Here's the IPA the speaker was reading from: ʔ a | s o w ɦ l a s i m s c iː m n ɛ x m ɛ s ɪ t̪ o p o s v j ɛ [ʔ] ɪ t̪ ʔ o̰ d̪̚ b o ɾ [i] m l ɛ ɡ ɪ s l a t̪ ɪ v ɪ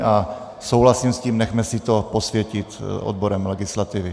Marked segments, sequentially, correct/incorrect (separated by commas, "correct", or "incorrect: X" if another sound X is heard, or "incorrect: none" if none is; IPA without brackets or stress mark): incorrect: c, incorrect: ɛ